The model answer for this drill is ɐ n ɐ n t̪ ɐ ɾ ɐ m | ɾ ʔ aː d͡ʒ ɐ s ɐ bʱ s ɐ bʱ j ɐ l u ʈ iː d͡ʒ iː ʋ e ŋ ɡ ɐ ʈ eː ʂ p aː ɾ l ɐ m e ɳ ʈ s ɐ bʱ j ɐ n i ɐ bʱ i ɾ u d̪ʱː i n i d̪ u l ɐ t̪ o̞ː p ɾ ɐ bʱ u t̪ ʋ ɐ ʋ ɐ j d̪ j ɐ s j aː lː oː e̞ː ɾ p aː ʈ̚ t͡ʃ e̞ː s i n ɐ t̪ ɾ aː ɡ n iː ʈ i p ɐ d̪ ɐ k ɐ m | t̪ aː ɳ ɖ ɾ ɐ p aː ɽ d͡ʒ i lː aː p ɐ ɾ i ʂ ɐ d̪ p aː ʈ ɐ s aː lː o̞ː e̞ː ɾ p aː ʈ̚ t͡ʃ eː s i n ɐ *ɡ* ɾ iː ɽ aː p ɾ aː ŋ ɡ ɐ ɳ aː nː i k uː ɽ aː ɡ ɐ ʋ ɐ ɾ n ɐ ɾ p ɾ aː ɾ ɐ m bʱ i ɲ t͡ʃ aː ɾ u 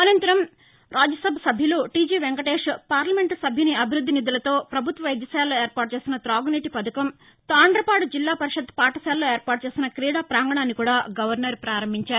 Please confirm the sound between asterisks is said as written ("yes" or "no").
no